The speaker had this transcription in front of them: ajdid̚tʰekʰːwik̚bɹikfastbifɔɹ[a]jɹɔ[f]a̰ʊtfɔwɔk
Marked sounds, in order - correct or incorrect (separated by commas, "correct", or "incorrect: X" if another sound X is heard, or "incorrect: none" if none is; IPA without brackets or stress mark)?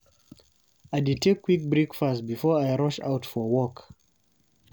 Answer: correct, incorrect: ʃ